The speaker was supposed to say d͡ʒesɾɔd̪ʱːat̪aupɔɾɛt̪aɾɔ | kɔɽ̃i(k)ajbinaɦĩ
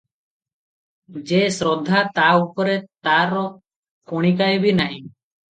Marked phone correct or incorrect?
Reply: correct